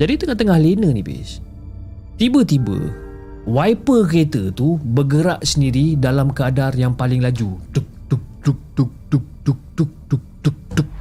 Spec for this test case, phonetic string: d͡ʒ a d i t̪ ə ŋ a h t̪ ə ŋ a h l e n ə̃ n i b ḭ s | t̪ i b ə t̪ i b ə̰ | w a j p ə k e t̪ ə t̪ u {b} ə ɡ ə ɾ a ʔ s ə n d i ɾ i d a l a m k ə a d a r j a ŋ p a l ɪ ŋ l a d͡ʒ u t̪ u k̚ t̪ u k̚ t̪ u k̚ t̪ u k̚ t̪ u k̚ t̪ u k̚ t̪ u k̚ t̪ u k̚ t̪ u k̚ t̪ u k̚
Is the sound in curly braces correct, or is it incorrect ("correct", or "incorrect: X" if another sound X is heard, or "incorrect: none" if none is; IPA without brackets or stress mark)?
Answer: correct